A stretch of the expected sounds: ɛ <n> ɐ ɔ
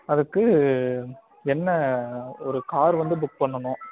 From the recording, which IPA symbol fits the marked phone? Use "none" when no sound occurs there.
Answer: nː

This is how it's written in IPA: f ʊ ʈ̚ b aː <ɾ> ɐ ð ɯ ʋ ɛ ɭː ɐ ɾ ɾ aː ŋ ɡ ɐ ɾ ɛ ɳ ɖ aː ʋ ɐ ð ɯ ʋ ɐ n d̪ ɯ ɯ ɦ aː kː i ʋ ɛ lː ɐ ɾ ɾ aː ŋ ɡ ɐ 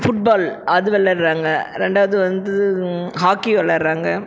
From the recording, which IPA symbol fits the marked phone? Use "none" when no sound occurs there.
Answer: l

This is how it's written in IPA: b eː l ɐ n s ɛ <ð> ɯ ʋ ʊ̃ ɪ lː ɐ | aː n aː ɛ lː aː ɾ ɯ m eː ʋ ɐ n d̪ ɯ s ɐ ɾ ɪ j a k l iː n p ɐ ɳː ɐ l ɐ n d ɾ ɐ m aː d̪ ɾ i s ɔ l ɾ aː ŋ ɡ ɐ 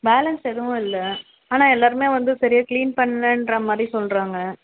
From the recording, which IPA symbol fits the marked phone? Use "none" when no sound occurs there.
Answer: ð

